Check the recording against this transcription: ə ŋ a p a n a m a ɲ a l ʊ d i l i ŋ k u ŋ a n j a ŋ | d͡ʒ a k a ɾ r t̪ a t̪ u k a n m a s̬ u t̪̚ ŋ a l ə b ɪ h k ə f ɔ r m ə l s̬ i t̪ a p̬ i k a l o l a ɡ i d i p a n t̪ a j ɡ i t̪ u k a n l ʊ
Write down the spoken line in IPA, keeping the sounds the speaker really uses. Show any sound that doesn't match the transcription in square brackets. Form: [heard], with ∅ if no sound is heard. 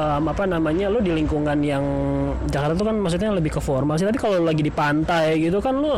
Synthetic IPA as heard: ə [m] a p a n a m a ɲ a l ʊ d i l i ŋ k u ŋ a n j a ŋ | d͡ʒ a k a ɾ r t̪ a t̪ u k a n m a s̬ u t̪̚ [ɲ] a l ə b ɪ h k ə f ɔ r m [a] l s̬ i t̪ a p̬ i k a l o l a ɡ i d i p a n t̪ a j ɡ i t̪ u k a n l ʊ